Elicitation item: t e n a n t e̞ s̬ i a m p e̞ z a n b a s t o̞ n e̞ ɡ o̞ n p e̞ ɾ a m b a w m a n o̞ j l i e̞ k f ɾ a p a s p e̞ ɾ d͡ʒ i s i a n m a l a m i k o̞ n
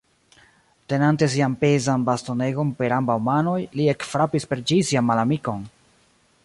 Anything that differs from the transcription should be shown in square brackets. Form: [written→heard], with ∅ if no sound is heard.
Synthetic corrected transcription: t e n a n t e̞ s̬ i a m p e̞ z a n b a s t o̞ n e̞ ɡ o̞ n p e̞ ɾ a m b a w m a n o̞ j l i e̞ k f ɾ a p [a→i] s p e̞ ɾ d͡ʒ i s i a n m a l a m i k o̞ n

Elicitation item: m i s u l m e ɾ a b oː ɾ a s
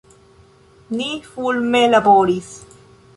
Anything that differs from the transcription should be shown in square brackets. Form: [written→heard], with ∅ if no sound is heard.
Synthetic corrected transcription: [m→n] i [s→f] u l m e [ɾ→l] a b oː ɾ [a→i] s

